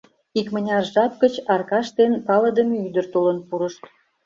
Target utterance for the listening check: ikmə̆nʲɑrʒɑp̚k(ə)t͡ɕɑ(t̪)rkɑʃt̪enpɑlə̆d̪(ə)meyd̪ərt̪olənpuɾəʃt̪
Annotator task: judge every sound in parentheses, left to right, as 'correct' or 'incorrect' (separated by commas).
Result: correct, incorrect, correct